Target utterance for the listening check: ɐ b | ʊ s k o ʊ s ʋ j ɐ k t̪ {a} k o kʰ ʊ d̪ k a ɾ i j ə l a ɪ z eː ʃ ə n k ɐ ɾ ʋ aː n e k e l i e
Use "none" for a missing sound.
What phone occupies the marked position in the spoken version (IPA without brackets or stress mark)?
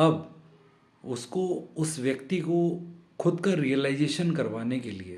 i